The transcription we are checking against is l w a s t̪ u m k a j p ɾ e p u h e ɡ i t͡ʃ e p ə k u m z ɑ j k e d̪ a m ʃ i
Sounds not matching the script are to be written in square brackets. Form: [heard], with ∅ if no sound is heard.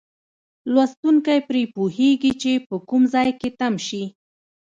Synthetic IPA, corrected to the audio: l w a s t̪ u [ŋ] k a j p ɾ e p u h e ɡ i t͡ʃ e p ə k u m z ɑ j k e [t̪] a m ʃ i